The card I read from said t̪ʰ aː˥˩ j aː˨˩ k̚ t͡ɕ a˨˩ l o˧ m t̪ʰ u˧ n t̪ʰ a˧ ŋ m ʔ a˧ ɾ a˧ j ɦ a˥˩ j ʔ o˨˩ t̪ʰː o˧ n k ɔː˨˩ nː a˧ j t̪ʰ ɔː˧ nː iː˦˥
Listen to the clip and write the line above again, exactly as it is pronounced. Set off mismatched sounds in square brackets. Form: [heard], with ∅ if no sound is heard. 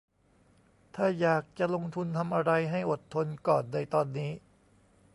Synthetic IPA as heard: t̪ʰ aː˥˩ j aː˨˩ k̚ t͡ɕ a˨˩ l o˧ [ŋ] t̪ʰ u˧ n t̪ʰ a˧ [∅] m ʔ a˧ ɾ a˧ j ɦ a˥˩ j ʔ o˨˩ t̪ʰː o˧ n k ɔː˨˩ nː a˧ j [t̪] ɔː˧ nː iː˦˥